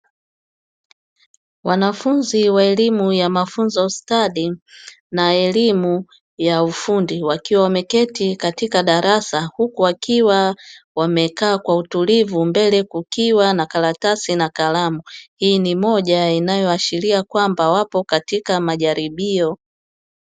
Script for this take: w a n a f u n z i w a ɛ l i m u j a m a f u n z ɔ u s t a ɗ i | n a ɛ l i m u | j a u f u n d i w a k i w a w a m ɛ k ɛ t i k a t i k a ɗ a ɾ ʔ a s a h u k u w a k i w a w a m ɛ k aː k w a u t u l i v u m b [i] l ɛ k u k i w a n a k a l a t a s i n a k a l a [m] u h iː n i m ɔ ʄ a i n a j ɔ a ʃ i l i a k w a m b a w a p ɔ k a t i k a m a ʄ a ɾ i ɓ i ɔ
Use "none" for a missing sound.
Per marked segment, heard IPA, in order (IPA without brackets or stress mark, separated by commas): ɛ, m